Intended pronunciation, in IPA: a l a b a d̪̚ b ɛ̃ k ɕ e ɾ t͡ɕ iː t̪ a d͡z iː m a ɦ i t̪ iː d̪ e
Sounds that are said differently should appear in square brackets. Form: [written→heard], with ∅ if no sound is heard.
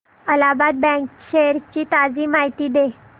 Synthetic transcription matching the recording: [a→ə] l a b a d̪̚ b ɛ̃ k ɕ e ɾ t͡ɕ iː t̪ a d͡z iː m a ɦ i t̪ iː d̪ e